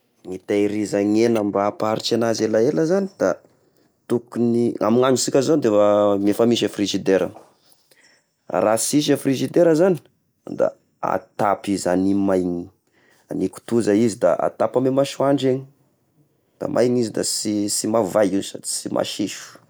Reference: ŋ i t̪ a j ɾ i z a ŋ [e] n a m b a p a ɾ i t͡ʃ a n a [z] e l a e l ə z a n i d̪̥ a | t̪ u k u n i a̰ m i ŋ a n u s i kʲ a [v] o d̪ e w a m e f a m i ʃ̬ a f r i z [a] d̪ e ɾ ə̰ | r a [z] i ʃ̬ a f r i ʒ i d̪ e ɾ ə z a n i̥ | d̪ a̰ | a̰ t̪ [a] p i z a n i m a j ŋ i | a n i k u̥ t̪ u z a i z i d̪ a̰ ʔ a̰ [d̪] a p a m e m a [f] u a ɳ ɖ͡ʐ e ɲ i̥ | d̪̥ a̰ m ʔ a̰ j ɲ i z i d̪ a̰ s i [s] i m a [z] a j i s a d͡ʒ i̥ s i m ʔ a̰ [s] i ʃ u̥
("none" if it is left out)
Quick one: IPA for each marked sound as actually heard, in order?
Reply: e, z, z, i, s, a, t̪, ʃ, s, v, ʃ

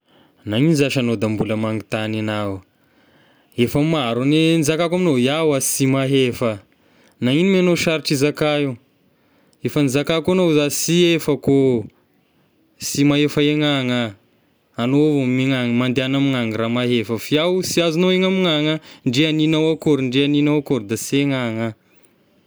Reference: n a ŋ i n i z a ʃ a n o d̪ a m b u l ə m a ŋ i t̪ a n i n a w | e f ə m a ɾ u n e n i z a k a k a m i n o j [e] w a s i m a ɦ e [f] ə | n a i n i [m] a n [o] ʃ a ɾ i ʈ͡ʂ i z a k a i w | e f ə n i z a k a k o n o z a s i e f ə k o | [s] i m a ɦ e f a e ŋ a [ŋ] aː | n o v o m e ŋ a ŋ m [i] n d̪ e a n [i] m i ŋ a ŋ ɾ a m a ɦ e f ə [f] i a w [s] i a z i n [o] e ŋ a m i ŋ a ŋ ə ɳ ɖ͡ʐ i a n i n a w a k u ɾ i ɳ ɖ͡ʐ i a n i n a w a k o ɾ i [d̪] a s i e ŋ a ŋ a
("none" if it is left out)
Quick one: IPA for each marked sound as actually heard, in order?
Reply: a, f, m, o, s, ŋ, a, a, f, s, o, d̪

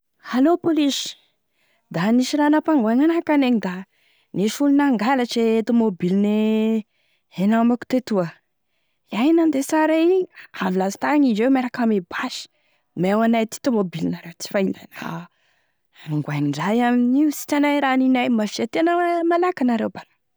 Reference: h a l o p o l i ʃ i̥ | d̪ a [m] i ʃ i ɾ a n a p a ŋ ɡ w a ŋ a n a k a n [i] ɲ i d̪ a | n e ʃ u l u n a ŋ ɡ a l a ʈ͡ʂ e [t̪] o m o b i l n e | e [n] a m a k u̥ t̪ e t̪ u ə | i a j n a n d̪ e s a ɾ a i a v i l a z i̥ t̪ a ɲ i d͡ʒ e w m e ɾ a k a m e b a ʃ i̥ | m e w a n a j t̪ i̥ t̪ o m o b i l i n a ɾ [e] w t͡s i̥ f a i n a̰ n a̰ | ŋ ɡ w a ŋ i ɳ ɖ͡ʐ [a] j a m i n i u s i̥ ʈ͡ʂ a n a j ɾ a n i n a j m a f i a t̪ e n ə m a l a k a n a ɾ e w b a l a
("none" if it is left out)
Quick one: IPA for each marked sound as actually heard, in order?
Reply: n, e, t̪, n, e, a

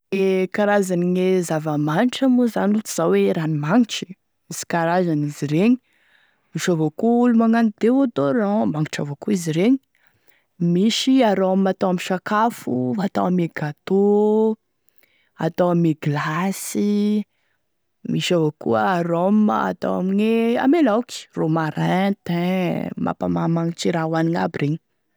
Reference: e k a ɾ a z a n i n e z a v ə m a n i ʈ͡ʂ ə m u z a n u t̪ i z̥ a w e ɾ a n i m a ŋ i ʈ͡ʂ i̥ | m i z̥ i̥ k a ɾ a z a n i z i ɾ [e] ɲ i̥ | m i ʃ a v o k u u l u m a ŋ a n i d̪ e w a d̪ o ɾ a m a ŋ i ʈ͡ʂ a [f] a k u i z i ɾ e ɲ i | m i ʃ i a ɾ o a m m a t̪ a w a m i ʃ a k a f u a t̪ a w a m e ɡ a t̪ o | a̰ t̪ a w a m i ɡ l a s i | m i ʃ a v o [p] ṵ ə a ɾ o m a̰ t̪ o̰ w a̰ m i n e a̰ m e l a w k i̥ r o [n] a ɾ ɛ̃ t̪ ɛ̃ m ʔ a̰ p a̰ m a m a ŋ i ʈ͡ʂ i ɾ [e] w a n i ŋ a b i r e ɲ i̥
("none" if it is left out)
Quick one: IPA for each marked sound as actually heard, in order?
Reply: e, v, k, m, a

